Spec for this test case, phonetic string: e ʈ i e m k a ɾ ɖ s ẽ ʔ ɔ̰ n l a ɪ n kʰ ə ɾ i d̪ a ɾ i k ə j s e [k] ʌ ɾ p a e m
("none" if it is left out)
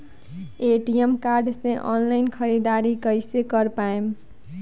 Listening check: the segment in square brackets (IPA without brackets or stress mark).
k